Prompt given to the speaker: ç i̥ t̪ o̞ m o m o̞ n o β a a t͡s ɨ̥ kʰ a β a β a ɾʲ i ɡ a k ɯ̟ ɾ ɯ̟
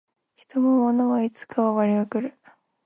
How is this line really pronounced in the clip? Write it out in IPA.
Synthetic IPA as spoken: ç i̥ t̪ o̞ m o m o̞ n o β a i t͡s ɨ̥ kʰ a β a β a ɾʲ i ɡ a k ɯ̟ ɾ ɯ̟